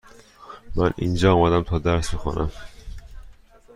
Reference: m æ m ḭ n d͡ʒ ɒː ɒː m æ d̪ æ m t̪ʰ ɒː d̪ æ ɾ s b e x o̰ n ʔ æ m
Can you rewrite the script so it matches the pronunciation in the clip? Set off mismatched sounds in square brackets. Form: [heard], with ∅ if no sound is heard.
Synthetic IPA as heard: m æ [n] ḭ n d͡ʒ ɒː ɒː m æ d̪ æ m t̪ʰ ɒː d̪ æ ɾ s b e x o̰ n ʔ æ m